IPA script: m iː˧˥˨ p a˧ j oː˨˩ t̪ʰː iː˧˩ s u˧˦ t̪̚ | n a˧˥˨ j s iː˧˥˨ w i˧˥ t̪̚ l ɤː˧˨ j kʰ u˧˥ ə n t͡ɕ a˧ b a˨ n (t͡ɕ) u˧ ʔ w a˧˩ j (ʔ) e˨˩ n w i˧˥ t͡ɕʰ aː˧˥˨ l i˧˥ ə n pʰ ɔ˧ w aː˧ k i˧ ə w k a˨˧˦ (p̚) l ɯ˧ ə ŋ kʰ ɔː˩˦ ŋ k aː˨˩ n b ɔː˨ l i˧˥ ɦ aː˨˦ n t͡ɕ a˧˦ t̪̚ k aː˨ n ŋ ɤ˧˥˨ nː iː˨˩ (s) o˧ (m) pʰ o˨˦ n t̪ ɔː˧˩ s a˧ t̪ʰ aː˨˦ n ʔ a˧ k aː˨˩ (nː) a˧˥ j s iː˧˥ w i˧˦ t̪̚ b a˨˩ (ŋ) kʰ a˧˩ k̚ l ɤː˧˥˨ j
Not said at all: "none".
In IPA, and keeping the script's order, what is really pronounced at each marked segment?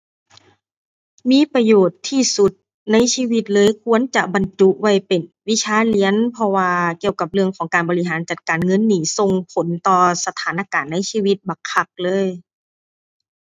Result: t͡ɕ, p, p̚, s, ŋ, nː, ŋ

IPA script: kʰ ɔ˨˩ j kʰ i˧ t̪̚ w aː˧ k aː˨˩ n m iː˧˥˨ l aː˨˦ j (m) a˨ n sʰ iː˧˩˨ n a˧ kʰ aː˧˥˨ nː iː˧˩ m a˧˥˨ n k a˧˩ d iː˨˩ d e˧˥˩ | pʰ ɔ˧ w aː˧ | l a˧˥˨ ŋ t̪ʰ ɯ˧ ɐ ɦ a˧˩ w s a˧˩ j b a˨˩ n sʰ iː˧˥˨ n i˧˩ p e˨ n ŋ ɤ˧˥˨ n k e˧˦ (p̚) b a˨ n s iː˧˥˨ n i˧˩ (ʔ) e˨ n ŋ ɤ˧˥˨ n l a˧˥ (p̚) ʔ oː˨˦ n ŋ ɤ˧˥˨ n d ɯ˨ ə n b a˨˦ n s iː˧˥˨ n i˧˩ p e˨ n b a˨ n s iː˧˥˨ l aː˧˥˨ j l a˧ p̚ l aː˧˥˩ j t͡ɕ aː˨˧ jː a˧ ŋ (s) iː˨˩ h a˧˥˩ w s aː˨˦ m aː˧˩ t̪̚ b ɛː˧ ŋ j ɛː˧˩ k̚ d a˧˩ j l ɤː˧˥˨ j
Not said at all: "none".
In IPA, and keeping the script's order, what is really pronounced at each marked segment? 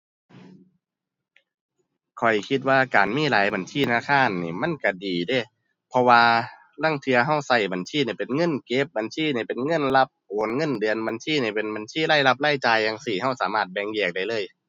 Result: b, p̚, p, p̚, s

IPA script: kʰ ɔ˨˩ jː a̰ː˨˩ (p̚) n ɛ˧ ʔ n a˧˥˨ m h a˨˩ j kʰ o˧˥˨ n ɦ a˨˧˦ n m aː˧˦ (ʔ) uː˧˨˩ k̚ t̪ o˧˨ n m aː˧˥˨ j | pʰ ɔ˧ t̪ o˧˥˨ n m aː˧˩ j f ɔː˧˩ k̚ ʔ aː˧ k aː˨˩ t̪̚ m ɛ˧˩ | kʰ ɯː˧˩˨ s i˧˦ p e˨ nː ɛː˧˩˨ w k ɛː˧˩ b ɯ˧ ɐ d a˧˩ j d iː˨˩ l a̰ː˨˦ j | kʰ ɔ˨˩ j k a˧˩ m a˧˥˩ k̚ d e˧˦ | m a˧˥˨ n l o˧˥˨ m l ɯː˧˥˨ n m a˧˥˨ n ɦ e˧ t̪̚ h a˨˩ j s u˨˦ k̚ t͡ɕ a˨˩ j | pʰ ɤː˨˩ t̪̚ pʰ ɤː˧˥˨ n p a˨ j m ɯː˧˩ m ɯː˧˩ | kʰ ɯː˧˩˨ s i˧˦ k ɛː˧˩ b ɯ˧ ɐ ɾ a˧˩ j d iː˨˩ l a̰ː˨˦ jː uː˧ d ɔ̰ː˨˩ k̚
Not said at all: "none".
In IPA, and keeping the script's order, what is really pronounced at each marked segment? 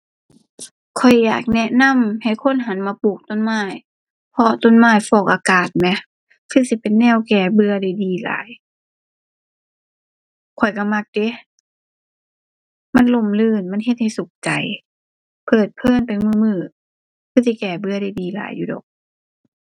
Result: k̚, p

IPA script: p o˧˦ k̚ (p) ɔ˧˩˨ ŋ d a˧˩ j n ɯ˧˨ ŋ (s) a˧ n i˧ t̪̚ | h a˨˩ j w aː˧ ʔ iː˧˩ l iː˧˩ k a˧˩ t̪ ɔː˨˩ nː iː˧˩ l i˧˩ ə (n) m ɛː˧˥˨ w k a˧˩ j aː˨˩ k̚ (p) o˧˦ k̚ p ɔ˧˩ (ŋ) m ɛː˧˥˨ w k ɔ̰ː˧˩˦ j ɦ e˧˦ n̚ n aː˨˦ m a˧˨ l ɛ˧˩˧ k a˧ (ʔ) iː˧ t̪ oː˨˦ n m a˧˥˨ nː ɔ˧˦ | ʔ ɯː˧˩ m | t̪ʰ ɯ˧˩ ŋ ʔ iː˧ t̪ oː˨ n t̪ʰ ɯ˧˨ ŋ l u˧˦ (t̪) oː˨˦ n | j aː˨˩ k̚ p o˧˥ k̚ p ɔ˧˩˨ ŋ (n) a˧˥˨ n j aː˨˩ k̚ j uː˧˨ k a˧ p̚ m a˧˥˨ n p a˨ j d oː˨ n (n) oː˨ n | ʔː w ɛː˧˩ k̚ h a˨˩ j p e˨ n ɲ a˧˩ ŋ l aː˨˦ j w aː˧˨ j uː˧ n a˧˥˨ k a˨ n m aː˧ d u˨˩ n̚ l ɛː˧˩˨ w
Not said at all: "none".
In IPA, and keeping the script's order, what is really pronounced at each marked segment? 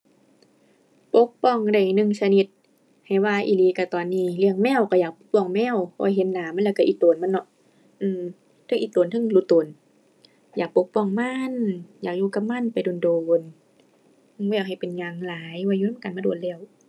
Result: p, s, ŋ, p, ŋ, ʔ, t̪, m, d

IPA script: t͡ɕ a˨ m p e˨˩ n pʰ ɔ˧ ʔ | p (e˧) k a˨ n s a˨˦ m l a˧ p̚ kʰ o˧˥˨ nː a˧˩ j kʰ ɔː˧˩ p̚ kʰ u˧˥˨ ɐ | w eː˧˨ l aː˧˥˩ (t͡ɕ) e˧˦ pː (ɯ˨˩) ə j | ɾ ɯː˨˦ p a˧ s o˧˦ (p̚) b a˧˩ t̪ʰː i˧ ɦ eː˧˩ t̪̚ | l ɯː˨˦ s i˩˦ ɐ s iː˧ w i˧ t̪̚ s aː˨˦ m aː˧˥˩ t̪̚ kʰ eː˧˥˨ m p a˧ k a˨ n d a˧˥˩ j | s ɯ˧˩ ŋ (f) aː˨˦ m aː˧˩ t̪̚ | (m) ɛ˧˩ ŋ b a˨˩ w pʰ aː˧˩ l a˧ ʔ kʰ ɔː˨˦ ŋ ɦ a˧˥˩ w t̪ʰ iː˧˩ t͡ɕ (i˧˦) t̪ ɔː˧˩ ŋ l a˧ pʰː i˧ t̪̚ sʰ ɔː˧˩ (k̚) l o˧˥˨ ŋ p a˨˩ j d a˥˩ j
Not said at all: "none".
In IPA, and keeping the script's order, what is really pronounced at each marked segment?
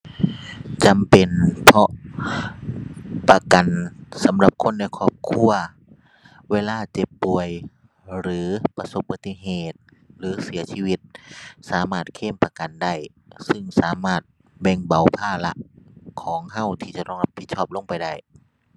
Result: a˧, t͡ɕ, u˨˩, p̚, s, b, a˧˦, p̚

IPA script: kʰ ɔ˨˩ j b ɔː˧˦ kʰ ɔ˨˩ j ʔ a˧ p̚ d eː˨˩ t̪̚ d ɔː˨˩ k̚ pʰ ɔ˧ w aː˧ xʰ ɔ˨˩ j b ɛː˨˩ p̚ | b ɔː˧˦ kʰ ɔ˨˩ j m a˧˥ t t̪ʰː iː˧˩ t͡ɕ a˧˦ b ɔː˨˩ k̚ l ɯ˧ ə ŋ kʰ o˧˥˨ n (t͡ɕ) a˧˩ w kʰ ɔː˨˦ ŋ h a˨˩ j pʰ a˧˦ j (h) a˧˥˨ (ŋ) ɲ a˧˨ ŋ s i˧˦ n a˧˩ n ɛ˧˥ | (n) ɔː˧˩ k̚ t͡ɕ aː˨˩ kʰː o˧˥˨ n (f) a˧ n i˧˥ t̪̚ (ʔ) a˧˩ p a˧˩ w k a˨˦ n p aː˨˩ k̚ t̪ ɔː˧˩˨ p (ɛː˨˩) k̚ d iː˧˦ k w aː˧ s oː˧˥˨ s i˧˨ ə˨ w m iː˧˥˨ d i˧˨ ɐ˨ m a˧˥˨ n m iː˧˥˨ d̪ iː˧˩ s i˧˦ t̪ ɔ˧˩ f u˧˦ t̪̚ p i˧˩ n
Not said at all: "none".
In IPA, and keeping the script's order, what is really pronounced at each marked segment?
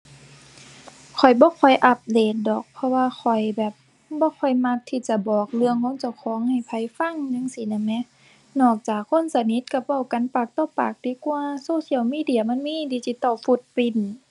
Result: t͡ɕ, f, ŋ, n, s, k, aː˨˩

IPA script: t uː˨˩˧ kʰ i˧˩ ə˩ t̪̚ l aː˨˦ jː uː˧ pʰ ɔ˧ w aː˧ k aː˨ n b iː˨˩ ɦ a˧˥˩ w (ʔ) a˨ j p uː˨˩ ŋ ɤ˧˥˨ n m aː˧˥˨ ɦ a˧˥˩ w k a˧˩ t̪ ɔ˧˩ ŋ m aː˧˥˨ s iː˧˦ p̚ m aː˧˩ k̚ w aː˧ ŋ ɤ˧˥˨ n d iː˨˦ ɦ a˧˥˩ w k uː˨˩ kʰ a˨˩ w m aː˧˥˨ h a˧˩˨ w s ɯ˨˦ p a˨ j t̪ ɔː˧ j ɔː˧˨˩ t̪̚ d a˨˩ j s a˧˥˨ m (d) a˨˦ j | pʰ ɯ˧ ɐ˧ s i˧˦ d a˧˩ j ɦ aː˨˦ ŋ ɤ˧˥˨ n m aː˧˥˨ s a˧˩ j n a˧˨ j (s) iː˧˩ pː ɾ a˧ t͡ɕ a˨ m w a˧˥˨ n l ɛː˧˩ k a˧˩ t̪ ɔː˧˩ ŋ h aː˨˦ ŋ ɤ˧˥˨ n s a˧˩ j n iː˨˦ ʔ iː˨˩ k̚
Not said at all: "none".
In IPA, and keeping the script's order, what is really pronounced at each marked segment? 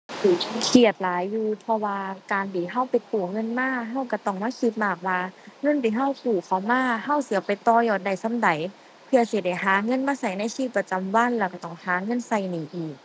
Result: p, d, s

